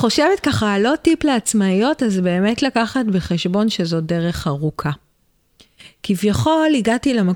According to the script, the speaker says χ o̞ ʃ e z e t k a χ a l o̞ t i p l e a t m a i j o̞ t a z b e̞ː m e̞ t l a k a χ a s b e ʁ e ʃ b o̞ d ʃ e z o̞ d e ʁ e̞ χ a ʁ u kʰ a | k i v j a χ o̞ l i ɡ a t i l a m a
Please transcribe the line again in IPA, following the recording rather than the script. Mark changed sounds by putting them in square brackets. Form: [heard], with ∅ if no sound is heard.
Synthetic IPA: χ o̞ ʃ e [v] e t k a χ a l o̞ t i p l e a [t͡s] m a i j o̞ t a z b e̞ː m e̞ t l a k a χ a [t] b e [χ] e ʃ b o̞ [n] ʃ e z o̞ d e ʁ e̞ χ a ʁ u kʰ a | k i v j a χ o̞ l i ɡ a t i l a m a